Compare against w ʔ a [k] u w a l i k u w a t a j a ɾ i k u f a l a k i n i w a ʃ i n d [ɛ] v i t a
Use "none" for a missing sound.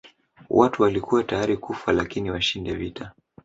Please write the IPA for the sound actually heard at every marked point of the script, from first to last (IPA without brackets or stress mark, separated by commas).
t, ɛ